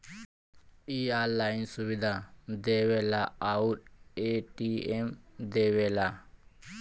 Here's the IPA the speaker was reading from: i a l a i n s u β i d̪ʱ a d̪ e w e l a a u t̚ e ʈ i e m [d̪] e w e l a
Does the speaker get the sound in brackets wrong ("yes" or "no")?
no